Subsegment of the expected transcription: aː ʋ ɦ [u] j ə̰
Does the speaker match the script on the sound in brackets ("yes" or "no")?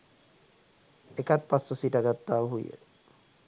yes